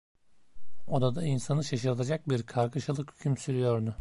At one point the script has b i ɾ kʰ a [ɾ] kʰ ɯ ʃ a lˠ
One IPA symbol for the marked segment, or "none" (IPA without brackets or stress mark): ɾ